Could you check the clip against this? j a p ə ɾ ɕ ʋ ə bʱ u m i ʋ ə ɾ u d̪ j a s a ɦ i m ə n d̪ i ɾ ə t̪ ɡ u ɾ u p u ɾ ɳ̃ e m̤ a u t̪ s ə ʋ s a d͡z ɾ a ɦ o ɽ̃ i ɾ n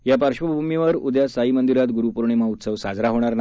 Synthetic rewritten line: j a p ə ɾ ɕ ʋ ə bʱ u m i ʋ ə ɾ u d̪ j a s a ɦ i m ə n d̪ i ɾ a t̪ ɡ u ɾ u p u ɾ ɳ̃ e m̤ a u t̪ s ə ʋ s a d͡z ɾ a ɦ o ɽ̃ a ɾ n